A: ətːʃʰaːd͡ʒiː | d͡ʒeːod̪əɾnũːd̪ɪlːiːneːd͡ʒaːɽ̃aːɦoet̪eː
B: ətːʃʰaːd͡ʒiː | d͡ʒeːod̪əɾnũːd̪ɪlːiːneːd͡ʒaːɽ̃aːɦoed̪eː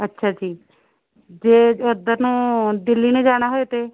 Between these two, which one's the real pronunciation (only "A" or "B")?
A